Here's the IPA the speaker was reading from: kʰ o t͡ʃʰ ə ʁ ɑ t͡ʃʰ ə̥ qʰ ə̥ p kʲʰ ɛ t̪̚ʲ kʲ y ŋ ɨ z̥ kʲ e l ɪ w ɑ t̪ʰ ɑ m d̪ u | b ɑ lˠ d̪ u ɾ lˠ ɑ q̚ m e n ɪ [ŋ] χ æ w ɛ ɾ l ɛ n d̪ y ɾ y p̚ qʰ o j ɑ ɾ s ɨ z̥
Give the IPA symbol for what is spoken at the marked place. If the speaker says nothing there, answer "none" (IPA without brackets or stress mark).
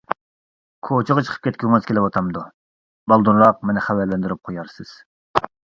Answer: none